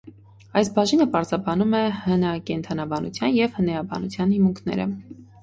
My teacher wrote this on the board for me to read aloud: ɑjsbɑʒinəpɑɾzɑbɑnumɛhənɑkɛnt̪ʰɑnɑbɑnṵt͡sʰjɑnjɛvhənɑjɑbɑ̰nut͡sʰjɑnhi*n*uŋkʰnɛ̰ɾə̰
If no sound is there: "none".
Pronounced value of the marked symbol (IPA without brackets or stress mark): m